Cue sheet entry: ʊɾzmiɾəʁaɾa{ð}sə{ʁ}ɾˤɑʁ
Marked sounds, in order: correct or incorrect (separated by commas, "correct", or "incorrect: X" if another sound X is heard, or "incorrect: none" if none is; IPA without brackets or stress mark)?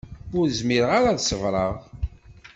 correct, incorrect: v